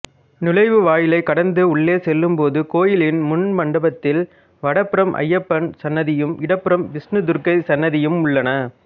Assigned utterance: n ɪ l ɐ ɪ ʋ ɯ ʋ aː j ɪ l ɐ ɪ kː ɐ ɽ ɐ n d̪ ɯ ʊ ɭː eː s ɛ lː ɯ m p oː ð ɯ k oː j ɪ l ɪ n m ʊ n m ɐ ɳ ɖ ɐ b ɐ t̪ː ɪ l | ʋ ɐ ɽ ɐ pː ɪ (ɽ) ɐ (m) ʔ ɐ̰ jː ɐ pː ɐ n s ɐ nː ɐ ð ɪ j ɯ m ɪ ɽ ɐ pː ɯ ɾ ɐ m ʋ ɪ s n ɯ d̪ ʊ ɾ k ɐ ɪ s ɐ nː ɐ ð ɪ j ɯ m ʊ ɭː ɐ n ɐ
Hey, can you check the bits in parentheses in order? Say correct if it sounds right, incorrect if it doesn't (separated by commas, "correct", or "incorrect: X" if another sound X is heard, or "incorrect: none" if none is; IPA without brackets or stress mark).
incorrect: ɾ, correct